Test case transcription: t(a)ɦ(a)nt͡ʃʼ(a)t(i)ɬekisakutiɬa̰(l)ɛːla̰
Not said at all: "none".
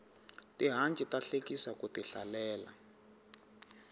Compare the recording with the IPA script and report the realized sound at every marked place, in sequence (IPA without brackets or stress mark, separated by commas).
i, a, i, a, l